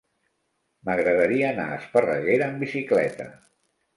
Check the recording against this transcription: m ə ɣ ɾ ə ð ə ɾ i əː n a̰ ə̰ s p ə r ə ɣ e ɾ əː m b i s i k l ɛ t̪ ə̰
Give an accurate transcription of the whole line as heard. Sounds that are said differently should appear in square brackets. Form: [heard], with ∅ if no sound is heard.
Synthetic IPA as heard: m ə ɣ ɾ ə ð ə ɾ i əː n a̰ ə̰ s p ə r ə ɣ e ɾ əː m b i s i k l ɛ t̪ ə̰